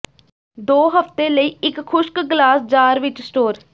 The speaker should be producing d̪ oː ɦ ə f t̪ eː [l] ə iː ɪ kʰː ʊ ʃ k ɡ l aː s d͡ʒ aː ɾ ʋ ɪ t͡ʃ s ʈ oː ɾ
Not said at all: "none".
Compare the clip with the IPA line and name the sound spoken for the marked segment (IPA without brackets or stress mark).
l